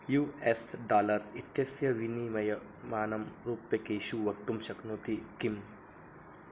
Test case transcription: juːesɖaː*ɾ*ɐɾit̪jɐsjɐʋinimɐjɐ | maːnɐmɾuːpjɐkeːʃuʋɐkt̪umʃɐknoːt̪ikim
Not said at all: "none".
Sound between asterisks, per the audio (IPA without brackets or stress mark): l